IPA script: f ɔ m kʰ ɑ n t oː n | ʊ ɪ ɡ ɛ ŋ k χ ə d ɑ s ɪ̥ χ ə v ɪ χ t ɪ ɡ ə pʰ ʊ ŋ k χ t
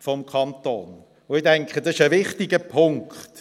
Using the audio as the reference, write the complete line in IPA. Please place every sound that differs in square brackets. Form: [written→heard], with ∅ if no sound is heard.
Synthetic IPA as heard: f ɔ m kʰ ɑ n t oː n | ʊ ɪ [ɡ→d] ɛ ŋ k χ ə d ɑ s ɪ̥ [χ→ʃ] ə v ɪ χ t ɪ ɡ ə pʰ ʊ ŋ k χ t

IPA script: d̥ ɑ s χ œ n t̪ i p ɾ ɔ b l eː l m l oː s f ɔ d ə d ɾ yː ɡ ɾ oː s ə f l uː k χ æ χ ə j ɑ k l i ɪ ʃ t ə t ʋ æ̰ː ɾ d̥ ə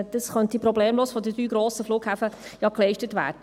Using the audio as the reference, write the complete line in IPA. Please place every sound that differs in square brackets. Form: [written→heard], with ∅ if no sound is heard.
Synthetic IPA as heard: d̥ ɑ s χ œ n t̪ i p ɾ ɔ b l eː [l→∅] m l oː s f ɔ d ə d ɾ yː ɡ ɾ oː s ə f l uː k [χ→h] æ [χ→f] ə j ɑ k l [i→ɛ] ɪ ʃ t ə t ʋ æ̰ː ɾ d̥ ə

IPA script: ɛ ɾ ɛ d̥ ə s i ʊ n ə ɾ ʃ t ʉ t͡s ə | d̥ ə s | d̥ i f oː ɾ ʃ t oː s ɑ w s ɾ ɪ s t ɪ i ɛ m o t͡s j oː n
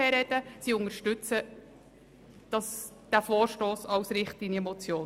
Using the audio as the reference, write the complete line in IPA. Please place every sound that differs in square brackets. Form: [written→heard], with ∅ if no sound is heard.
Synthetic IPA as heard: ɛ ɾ ɛ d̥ ə s i ʊ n ə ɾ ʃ t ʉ t͡s ə | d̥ [ə→ɑ] s | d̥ [i→æ] f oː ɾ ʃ t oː s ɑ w s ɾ ɪ [s→χ] t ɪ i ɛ m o t͡s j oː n

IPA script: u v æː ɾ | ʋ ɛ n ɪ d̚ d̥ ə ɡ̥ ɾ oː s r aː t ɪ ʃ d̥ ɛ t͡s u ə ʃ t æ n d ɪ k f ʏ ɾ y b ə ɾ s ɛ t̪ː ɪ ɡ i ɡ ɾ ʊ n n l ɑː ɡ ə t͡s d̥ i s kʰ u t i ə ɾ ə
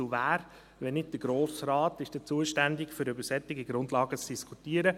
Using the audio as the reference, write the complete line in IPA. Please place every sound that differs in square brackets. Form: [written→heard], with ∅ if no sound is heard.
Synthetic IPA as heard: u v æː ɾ | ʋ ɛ n ɪ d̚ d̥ ə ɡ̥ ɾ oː s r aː t ɪ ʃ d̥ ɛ t͡s u ə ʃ t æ n d ɪ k f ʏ ɾ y b ə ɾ s ɛ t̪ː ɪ ɡ i ɡ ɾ ʊ n [n→d] l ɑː ɡ ə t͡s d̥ i s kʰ u t i ə ɾ ə

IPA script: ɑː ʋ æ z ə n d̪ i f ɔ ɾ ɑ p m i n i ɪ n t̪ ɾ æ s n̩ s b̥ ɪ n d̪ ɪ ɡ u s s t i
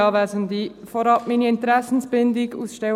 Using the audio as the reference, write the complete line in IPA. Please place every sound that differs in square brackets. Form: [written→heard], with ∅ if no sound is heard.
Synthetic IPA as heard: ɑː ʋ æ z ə n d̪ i f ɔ ɾ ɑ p m i n i ɪ n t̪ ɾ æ s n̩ s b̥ ɪ n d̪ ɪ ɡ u s [s→ʃ] t [i→ɛ]

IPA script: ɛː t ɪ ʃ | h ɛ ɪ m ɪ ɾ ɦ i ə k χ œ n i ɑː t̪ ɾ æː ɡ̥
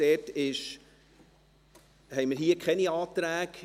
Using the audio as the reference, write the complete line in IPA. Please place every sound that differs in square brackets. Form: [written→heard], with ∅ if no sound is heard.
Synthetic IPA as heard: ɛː t ɪ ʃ | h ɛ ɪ m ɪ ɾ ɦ i ə k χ [œ→ɛ] n i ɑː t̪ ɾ æː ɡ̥

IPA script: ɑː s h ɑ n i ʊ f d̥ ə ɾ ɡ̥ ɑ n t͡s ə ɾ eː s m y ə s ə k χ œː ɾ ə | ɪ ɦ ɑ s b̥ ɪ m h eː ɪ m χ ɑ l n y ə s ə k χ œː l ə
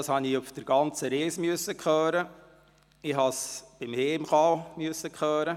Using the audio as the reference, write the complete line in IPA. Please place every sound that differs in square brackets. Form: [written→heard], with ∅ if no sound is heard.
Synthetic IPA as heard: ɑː s h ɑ n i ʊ f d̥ ə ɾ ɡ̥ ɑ n t͡s ə ɾ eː s m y ə s ə k χ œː ɾ ə | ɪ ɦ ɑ s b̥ ɪ m h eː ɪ m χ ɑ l [n→m] y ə s ə k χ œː [l→ɾ] ə

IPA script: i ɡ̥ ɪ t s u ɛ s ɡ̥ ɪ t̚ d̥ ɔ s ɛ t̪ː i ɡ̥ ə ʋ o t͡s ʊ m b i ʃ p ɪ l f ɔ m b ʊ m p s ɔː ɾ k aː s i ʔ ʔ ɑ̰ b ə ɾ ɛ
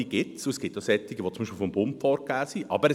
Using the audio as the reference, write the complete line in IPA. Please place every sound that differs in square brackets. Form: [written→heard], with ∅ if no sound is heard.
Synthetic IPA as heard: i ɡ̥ ɪ t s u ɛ s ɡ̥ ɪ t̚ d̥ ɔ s ɛ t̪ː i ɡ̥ ə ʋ o t͡s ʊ m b i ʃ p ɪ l f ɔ m b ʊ m p [s→f] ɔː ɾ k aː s i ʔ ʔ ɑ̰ b ə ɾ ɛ

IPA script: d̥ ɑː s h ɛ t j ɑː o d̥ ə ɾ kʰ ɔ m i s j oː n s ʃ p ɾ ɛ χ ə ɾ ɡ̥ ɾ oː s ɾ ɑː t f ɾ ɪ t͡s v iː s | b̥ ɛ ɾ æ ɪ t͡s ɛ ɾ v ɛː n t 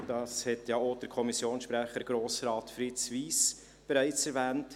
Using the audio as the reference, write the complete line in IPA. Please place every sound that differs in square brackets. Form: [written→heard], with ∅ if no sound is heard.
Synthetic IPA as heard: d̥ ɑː s h ɛ t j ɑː o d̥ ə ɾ kʰ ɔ m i s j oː n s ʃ p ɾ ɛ χ ə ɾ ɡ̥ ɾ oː s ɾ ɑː t f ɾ ɪ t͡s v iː s | b̥ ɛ ɾ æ ɪ t͡s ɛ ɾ v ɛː n t

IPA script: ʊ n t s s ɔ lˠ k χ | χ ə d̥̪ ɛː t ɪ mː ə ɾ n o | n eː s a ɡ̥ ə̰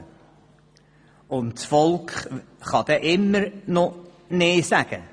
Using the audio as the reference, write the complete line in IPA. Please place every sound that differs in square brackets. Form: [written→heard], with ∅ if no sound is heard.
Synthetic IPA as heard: ʊ n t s [s→f] ɔ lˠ k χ | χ [ə→ɑ] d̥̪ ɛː [t→ʔ] ɪ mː ə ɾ n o | n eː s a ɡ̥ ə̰

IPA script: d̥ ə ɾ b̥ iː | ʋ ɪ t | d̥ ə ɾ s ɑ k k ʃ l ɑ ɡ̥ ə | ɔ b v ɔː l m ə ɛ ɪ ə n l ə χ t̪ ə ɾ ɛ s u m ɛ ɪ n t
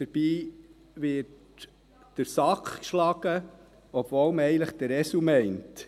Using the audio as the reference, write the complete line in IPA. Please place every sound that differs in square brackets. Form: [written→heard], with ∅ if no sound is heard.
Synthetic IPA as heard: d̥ ə ɾ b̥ iː | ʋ ɪ t | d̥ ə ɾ s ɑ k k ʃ l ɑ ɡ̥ ə | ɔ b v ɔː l m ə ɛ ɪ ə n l ə χ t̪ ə ɾ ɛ s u m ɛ ɪ n t

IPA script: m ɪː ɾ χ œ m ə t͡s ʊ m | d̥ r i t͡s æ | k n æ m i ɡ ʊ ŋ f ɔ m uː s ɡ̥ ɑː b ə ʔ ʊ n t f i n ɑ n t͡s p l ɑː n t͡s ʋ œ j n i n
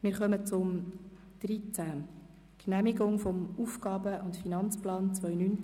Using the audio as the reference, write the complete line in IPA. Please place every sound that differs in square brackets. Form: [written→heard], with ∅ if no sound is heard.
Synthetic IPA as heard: m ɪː ɾ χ œ m ə t͡s ʊ m | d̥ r i t͡s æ | k n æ m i ɡ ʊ ŋ f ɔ m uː [s→f] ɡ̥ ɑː b ə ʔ ʊ n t f i n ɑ n t͡s p l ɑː n t͡s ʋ œ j n [i→y] n

